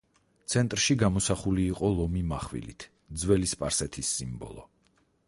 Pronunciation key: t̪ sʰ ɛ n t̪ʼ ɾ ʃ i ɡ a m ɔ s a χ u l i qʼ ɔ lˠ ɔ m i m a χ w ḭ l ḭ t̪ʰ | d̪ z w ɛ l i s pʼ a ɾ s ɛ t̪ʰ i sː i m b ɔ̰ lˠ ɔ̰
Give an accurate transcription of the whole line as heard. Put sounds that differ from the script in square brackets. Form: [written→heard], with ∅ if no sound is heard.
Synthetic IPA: t̪ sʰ ɛ n t̪ʼ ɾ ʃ i ɡ a m ɔ s a χ u l [i→iː] qʼ ɔ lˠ ɔ m i m a χ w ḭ l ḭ t̪ʰ | d̪ z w ɛ l i s pʼ a ɾ s ɛ t̪ʰ i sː i m b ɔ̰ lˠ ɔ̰